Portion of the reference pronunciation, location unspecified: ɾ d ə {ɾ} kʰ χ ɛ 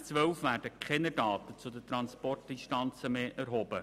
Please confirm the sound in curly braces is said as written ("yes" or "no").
no